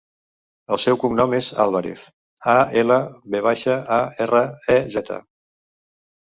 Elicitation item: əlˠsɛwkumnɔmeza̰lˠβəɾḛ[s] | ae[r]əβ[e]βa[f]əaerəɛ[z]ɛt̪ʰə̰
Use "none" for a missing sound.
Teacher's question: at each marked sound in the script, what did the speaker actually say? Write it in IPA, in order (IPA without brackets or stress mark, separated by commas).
θ, l, e, ʃ, z